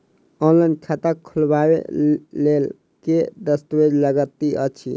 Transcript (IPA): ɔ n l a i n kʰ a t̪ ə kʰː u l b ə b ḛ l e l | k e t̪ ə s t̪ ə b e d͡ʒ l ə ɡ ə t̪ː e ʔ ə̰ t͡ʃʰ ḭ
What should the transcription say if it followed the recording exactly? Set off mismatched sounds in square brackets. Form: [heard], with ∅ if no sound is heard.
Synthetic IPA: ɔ n l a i n kʰ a t̪ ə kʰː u l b [a] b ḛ l e l | k e [d̪] ə s t̪ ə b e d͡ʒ l ə ɡ ə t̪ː [i] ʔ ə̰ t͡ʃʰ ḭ

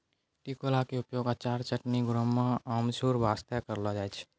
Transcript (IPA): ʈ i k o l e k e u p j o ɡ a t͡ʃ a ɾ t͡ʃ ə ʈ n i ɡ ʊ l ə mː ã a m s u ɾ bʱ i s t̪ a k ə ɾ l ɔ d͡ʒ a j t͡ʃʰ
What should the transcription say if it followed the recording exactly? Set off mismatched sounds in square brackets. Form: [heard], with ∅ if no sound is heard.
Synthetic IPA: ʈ i k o l [a] k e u p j o ɡ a t͡ʃ a ɾ t͡ʃ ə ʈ n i ɡ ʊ [ɾ] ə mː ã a m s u ɾ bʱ [a] s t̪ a k ə ɾ l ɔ d͡ʒ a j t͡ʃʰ

